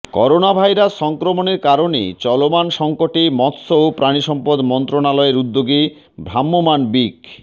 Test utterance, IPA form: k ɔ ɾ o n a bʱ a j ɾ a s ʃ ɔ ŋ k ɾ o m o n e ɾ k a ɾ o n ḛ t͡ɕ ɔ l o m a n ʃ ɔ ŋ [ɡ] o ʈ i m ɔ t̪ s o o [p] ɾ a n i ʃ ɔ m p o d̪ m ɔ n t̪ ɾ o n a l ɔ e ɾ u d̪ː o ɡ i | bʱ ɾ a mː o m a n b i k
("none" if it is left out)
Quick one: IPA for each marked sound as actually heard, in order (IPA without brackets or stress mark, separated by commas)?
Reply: k, p